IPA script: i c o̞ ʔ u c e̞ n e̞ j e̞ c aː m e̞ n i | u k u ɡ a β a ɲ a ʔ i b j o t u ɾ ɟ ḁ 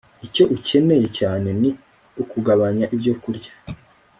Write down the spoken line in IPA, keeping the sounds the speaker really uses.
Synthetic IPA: i c o̞ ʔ u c e̞ n e̞ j e̞ c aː n e̞ n i | u k u ɡ a β a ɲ a ʔ i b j o k u ɾ ɟ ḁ